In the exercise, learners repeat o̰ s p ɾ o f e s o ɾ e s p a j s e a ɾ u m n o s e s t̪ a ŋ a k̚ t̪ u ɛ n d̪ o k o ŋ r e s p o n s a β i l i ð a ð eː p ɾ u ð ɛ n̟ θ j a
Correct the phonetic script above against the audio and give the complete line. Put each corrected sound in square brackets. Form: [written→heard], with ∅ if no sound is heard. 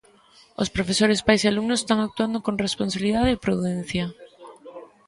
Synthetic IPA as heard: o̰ s p ɾ o f e s o ɾ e s p a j s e a [ɾ→l] u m n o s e s t̪ a ŋ a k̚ t̪ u [ɛ→a] n d̪ o k o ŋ r e s p o n s a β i l i ð a ð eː p ɾ u ð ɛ n̟ θ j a